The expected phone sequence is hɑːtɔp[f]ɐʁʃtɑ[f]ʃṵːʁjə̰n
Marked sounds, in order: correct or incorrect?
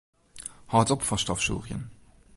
correct, correct

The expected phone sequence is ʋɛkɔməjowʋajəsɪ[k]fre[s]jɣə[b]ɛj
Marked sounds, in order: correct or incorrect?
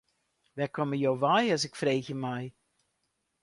correct, incorrect, incorrect

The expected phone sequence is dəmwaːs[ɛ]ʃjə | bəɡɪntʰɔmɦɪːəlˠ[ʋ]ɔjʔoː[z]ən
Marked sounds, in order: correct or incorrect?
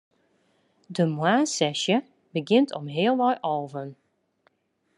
correct, correct, incorrect

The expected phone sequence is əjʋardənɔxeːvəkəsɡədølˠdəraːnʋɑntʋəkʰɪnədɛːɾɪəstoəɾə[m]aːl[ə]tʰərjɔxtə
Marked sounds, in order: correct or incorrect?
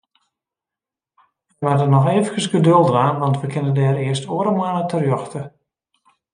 correct, correct

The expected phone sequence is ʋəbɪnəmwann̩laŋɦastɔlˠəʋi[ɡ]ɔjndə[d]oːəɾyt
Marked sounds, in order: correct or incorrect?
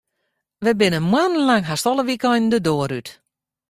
incorrect, correct

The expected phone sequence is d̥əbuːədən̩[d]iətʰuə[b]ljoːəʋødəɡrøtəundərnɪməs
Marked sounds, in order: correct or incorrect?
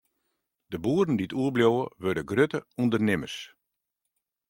correct, correct

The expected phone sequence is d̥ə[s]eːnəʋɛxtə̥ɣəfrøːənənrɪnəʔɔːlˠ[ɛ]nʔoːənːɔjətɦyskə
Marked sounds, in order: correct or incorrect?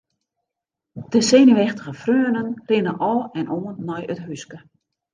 correct, correct

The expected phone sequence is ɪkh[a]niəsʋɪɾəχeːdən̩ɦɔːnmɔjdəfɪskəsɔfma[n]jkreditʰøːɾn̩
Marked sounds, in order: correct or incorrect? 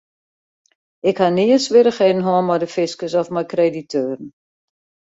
correct, incorrect

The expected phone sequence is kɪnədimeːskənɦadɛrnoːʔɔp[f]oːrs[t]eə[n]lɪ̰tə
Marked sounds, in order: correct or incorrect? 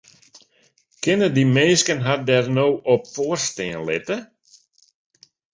correct, correct, correct

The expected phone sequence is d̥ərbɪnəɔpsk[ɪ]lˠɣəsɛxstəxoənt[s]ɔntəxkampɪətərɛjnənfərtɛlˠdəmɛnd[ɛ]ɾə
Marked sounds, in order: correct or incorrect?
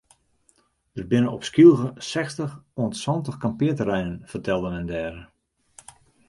incorrect, correct, incorrect

